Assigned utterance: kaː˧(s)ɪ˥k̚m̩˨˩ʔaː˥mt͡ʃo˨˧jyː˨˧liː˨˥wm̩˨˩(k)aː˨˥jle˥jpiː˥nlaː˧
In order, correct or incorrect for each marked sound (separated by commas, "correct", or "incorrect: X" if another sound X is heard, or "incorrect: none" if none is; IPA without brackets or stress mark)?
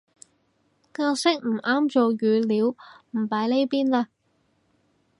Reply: correct, incorrect: p